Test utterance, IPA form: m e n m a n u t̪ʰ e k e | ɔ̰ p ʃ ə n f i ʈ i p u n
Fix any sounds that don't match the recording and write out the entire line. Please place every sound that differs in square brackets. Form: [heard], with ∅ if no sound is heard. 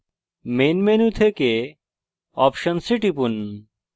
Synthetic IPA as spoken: m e n m [e] n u t̪ʰ e k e | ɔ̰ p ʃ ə n [s] i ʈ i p u n

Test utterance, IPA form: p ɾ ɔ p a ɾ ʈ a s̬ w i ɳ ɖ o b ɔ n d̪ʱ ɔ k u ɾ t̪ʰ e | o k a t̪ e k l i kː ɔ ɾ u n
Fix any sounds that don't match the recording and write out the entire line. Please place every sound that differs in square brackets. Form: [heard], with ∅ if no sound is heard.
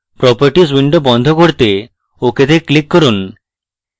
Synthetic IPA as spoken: p ɾ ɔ p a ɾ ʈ [i] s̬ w i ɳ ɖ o b ɔ n d̪ʱ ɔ k [o] ɾ [t̪] e | o k [e] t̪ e k l i kː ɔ ɾ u n

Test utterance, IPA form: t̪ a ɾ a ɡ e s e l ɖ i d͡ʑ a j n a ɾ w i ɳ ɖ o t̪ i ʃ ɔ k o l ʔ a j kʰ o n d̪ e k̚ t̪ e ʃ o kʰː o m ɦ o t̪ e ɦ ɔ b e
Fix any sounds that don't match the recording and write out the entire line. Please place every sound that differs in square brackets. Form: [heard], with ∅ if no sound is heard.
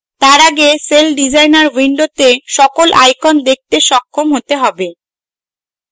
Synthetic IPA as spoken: t̪ a ɾ a ɡ e s e l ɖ i d͡ʑ a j n a ɾ w i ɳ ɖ o t̪ [e] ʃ ɔ k o l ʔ a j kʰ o n d̪ e k̚ t̪ e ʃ [ɔ] kʰː o m ɦ o t̪ e ɦ ɔ b e

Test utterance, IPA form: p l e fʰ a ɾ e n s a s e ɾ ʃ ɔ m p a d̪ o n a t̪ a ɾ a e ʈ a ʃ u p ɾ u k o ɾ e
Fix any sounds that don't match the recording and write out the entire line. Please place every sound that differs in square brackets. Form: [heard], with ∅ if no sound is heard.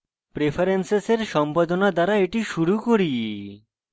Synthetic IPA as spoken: p [ɾ] e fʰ a ɾ e n s [e] s e ɾ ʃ ɔ m p a d̪ o n a [d̪] a ɾ a e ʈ [i] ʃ u [∅] ɾ u k o ɾ [i]

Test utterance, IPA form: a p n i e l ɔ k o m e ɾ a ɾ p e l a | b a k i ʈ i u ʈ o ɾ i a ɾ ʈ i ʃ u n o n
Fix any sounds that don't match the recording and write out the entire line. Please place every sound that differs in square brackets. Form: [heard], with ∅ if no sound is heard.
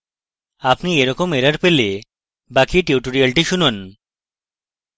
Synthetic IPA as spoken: a p n i e [ɾ] ɔ k o m e ɾ a ɾ p e l [e] | b a k i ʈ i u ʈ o ɾ i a [l] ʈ i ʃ u n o n

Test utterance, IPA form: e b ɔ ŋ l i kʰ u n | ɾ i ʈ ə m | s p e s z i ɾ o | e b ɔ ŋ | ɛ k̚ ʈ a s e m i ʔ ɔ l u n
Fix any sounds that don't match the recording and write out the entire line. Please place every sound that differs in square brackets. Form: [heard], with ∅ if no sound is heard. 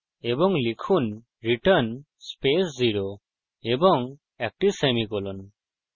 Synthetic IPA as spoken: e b ɔ ŋ l i kʰ u n | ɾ i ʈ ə [n] | s p e s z i ɾ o | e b ɔ ŋ | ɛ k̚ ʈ [i] s e m i [k] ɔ l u n

